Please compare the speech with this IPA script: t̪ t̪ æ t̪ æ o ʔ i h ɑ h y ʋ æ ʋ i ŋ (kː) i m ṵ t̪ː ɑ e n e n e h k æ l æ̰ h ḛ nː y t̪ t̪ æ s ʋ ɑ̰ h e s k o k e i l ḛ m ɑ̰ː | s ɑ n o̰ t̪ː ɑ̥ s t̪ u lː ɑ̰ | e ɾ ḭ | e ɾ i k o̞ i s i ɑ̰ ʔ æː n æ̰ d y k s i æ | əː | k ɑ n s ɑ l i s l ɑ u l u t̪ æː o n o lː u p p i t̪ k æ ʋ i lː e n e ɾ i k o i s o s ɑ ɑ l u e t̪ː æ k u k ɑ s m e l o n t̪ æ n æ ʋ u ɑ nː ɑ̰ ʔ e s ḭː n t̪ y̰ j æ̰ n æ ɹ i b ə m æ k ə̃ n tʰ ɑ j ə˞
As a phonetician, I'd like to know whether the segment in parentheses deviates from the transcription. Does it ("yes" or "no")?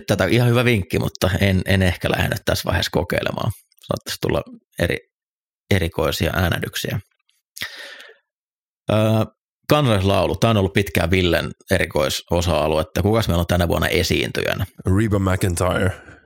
no